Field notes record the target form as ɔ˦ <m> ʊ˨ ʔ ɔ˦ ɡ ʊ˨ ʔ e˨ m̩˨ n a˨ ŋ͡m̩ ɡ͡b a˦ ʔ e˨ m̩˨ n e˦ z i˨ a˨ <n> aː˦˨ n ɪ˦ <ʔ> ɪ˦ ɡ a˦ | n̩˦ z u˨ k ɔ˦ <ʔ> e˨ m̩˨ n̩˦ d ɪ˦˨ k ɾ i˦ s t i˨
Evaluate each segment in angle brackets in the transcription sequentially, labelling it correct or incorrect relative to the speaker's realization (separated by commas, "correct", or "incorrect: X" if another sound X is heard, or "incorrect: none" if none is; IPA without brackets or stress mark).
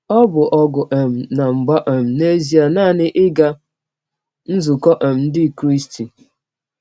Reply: incorrect: b, correct, correct, correct